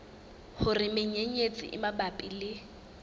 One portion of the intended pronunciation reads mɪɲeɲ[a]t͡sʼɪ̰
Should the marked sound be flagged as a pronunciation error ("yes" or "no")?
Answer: yes